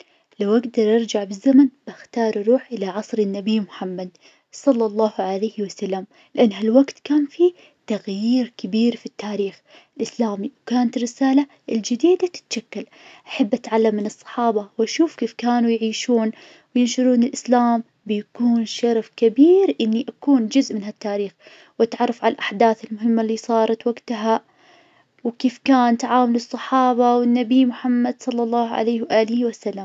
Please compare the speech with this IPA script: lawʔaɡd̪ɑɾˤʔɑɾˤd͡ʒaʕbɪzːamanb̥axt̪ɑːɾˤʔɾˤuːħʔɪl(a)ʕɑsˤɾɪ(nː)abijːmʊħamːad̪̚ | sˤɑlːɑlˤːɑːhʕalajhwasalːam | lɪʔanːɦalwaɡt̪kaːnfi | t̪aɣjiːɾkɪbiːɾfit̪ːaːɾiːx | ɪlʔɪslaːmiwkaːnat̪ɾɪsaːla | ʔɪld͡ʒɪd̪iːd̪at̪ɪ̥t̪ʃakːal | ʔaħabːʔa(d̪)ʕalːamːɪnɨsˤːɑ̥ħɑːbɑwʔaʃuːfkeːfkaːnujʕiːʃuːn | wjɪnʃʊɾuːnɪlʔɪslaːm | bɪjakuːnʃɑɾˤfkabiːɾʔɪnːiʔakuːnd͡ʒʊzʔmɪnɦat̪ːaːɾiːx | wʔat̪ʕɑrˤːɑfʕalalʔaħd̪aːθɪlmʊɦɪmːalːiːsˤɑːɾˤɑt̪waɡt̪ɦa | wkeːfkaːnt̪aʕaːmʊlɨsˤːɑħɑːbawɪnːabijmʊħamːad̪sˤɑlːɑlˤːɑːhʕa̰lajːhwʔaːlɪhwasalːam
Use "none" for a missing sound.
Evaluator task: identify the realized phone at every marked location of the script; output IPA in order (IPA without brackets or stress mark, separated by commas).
a, nː, t̪